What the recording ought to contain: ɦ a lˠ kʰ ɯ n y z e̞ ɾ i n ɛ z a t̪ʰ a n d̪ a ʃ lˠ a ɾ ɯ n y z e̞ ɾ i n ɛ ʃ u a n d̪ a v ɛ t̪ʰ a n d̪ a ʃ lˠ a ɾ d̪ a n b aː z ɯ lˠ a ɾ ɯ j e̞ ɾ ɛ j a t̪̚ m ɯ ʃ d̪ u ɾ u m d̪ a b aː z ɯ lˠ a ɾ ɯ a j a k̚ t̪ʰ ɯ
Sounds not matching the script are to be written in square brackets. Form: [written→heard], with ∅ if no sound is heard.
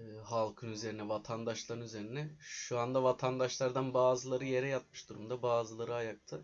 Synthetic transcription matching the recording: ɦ a lˠ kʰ ɯ n y z e̞ ɾ i n ɛ [z→v] a t̪ʰ a n d̪ a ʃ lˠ a ɾ ɯ n y z e̞ ɾ i n ɛ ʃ u a n d̪ a v [ɛ→a] t̪ʰ a n d̪ a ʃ lˠ a ɾ d̪ a n b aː z ɯ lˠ a ɾ ɯ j e̞ ɾ ɛ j a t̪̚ m ɯ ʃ d̪ u ɾ u m d̪ a b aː z ɯ lˠ a ɾ ɯ a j a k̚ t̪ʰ ɯ